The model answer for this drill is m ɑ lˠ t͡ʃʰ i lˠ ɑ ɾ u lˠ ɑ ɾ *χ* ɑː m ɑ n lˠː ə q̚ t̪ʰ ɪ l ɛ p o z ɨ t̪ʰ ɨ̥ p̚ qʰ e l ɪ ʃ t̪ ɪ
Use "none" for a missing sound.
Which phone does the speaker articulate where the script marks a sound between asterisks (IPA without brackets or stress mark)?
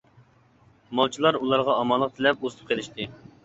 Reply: ʁ